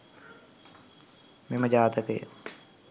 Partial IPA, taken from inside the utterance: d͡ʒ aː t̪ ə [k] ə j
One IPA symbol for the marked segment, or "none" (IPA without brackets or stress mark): k